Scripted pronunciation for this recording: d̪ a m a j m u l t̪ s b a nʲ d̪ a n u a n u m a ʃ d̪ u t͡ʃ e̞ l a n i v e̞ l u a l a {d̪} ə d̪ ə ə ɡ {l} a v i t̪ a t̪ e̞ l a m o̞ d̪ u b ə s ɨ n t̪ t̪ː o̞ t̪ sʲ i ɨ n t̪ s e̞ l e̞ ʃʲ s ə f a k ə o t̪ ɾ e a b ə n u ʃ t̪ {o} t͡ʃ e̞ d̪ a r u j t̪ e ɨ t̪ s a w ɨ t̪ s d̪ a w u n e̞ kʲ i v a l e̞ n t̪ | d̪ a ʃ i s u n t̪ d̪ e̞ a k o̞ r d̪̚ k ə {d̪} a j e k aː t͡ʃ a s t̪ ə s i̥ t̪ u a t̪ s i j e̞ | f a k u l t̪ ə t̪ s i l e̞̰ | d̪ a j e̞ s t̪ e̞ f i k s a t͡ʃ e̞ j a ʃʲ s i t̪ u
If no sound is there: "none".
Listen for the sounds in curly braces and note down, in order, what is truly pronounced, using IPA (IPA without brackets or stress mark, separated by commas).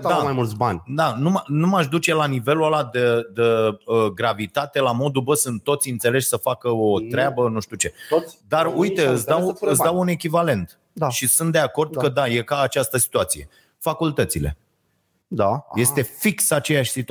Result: d̪, ɾ, u, d̪